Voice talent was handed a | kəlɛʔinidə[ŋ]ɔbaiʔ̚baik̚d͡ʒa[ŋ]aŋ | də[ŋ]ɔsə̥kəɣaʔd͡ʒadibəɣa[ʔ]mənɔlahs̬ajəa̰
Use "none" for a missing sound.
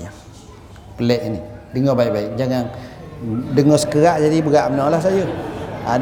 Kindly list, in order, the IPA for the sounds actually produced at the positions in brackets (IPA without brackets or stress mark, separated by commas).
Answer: ŋ, ŋ, ŋ, ʔ